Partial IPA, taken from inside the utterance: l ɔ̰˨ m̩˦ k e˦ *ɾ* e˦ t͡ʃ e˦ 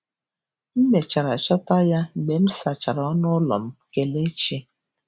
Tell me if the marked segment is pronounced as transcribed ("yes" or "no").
no